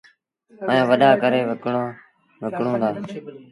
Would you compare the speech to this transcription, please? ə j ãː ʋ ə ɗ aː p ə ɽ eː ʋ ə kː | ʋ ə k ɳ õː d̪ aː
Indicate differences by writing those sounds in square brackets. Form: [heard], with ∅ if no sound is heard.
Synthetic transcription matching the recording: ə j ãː ʋ ə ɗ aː [k] ə [ɾ] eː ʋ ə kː | ʋ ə k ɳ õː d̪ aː